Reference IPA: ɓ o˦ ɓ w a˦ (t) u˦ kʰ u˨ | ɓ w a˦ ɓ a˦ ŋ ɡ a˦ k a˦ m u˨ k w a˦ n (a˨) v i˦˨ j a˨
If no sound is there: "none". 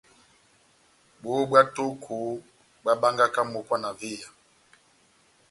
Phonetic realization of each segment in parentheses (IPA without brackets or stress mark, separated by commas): t, a˨